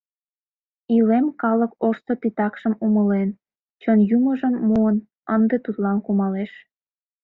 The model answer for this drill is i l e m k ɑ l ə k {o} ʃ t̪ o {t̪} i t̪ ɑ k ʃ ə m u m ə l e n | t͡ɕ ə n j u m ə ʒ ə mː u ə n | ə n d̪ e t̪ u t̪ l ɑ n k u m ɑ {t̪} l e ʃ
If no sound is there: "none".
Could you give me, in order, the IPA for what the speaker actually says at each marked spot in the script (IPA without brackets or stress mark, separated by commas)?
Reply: o, t̪, none